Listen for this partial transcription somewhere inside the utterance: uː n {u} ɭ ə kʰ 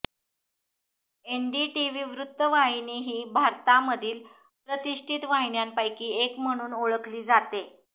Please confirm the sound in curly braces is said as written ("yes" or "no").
no